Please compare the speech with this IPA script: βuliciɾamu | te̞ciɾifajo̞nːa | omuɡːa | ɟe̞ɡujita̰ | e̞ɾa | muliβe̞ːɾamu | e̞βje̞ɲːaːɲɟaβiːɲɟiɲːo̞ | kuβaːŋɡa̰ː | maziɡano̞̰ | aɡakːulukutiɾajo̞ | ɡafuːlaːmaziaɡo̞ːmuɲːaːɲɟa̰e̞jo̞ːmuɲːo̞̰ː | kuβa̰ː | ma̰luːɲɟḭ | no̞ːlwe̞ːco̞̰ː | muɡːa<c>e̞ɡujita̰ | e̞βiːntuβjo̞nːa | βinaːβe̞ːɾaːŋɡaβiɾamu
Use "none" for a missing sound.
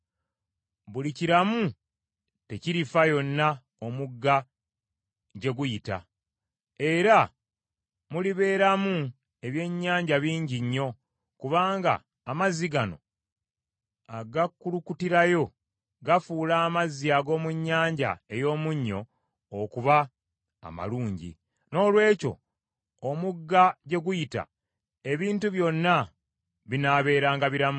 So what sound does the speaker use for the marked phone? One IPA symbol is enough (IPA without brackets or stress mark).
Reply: ɟ